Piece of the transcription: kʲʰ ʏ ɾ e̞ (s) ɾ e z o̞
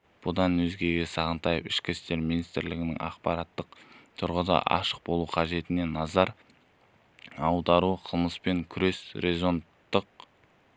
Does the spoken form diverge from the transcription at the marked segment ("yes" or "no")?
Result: no